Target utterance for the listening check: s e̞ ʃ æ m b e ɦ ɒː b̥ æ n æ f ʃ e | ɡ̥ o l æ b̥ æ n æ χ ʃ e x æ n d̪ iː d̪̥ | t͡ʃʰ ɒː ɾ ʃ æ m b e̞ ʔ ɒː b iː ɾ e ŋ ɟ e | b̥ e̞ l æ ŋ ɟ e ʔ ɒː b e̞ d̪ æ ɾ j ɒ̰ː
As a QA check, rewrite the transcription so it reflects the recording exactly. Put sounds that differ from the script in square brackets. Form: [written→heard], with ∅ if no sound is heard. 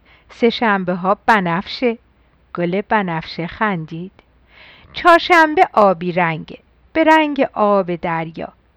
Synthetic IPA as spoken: s e̞ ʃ æ m b e ɦ ɒː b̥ æ n æ f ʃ e | ɡ̥ o l [æ→e] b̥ æ n æ [χ→f] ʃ e x æ n d̪ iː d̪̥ | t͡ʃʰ ɒː ɾ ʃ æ m b e̞ ʔ ɒː b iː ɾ [e→æ] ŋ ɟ e | b̥ e̞ [l→ɾ] æ ŋ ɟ e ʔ ɒː b e̞ d̪ æ ɾ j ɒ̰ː